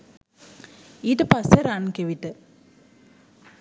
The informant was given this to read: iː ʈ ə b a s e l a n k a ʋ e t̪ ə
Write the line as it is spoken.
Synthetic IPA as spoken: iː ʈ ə p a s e ɾ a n k e ʋ i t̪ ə